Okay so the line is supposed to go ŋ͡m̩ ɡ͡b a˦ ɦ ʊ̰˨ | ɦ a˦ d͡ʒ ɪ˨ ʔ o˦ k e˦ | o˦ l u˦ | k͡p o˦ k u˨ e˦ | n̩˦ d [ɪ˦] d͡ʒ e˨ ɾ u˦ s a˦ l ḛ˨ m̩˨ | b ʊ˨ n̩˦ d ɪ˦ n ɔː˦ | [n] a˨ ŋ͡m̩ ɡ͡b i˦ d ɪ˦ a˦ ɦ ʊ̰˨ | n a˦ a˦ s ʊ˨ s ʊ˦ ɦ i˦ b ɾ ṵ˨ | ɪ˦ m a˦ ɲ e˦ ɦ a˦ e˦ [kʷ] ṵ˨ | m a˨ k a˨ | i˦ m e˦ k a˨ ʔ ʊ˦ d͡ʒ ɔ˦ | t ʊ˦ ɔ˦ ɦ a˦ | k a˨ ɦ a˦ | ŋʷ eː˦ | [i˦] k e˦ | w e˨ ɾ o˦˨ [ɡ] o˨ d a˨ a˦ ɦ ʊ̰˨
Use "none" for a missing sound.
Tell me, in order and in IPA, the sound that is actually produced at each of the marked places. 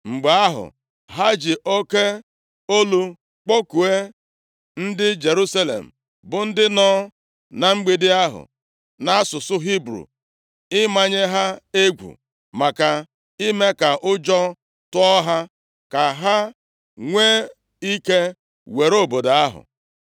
ɪ˦, n, ɡʷ, i˦, b

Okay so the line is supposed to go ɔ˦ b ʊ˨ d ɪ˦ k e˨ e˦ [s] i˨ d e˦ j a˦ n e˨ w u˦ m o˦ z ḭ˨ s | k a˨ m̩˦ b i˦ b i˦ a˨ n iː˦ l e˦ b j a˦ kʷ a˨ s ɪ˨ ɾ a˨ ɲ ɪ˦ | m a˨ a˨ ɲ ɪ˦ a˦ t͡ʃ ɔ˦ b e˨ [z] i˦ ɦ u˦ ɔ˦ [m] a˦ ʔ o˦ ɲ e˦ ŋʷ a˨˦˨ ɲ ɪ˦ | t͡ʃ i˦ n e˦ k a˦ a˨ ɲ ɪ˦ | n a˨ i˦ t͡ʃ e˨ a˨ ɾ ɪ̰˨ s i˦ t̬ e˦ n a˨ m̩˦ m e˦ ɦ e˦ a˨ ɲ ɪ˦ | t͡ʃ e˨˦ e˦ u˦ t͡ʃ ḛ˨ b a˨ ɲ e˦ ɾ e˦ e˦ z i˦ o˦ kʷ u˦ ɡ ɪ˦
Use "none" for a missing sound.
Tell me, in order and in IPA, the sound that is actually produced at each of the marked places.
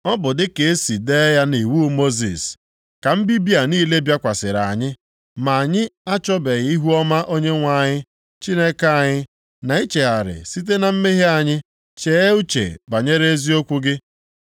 s, ɣ, m

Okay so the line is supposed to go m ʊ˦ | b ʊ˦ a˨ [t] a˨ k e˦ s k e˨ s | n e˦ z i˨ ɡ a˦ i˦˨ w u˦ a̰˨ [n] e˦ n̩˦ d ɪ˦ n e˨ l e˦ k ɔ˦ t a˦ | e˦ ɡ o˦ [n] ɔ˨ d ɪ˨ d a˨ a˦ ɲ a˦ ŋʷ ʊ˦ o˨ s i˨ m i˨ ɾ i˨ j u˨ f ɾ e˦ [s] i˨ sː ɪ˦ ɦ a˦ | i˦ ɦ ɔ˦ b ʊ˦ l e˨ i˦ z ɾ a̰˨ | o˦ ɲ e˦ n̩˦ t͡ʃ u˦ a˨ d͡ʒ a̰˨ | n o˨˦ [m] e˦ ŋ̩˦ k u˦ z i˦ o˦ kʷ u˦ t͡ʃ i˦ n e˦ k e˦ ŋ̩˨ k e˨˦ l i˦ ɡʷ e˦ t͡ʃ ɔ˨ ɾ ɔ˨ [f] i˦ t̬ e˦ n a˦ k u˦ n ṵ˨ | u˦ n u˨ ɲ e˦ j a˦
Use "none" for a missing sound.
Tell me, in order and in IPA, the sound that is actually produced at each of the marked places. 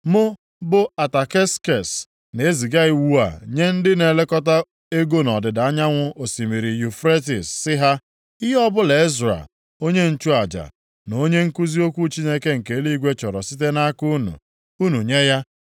t, ɲ, n, t, ɲ, s

